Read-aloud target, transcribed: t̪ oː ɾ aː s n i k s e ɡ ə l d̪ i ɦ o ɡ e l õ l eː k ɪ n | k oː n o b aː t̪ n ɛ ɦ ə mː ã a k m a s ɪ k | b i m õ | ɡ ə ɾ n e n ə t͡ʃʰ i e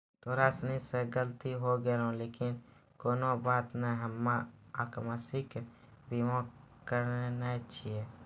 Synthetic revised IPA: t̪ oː ɾ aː s n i s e ɡ ə l t̪ i ɦ o ɡ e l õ l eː k ɪ n | k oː n o b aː t̪ n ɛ ɦ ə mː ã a k m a s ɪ k | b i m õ | k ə ɾ n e n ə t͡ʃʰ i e